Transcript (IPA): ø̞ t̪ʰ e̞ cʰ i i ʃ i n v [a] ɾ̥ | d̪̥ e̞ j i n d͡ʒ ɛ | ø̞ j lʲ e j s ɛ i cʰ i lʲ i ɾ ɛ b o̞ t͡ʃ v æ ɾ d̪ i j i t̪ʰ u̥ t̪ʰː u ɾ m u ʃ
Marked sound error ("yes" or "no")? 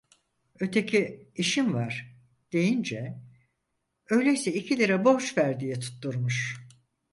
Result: no